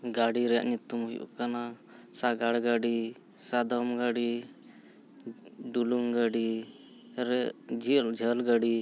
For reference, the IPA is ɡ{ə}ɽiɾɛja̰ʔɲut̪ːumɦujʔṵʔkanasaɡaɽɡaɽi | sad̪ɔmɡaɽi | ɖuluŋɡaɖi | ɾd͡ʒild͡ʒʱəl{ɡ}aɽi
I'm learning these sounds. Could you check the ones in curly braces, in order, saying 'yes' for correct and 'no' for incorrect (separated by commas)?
no, yes